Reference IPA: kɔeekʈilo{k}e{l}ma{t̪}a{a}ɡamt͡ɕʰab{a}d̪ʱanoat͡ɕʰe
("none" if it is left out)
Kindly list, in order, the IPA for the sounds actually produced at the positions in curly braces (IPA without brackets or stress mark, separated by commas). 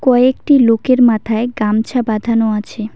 k, ɾ, t̪ʰ, e, a